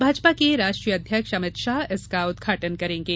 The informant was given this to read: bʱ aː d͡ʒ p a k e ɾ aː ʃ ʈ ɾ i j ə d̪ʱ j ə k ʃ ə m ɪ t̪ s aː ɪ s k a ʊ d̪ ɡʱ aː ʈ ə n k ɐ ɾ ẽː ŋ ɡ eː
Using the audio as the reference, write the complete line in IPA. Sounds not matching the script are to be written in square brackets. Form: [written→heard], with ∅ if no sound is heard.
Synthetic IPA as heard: bʱ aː d͡ʒ p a k e ɾ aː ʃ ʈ ɾ i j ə d̪ʱ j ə k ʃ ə m ɪ t̪ [s→ʃ] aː ɪ s k a ʊ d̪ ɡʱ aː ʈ ə n k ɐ ɾ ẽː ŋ ɡ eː